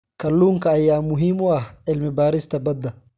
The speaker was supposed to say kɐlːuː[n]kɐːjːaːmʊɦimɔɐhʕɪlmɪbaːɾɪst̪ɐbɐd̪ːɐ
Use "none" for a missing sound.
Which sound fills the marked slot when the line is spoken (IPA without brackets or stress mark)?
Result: ŋ